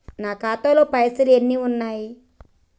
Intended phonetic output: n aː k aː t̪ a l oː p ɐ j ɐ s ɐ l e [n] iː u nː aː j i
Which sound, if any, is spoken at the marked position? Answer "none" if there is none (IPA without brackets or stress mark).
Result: nː